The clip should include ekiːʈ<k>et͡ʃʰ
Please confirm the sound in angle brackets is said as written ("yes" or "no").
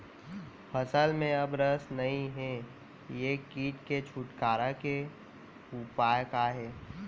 yes